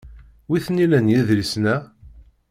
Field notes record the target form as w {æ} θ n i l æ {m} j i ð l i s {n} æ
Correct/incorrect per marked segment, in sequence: incorrect: i, incorrect: n, correct

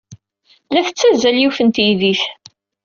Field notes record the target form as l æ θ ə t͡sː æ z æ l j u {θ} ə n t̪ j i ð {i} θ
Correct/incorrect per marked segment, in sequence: incorrect: f, correct

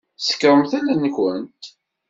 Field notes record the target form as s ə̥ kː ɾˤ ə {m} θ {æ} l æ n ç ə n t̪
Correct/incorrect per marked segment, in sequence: correct, correct

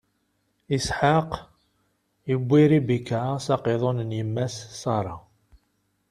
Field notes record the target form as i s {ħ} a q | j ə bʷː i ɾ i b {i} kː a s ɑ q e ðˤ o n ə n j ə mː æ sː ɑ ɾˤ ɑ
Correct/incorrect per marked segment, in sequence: correct, correct

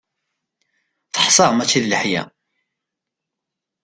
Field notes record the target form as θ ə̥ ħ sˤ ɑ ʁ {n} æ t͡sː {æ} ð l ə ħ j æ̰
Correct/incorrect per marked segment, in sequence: incorrect: m, incorrect: i

